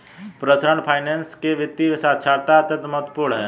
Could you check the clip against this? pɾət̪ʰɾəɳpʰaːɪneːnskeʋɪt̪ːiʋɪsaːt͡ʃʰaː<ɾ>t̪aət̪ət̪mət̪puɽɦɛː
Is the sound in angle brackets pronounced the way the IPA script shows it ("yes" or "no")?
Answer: yes